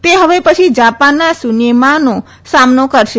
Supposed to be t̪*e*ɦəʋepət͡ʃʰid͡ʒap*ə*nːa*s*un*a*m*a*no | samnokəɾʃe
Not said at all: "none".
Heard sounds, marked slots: e, a, s, e, a

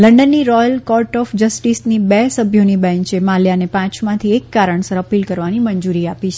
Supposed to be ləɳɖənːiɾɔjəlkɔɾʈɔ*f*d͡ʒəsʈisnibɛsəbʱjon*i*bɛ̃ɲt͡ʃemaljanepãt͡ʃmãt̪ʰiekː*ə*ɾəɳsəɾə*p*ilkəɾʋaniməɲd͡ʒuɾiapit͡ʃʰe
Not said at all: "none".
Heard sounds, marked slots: f, i, a, p

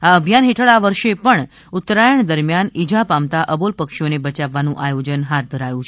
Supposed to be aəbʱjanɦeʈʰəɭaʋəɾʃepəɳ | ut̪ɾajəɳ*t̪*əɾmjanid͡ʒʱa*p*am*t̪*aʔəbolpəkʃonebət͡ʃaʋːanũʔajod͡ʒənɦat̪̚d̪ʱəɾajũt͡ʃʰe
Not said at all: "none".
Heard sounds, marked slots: d̪, p, t̪

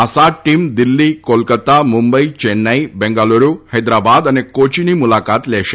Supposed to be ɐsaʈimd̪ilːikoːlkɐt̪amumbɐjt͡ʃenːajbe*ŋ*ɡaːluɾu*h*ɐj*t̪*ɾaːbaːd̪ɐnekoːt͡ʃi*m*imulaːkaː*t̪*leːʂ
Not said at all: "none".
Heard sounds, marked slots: ŋ, h, d̪, n, t̪

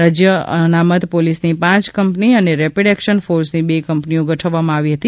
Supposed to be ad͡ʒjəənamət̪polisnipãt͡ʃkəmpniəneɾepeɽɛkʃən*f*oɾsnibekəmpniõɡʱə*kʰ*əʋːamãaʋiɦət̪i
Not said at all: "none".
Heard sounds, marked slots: f, ʈʰ

